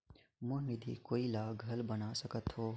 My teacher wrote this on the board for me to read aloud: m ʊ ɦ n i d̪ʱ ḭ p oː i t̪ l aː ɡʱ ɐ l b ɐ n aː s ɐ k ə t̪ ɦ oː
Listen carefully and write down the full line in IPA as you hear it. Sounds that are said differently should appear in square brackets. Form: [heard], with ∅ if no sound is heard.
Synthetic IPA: m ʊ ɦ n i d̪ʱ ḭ [k] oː i [∅] l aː ɡʱ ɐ l b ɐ n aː s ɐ k ə t̪ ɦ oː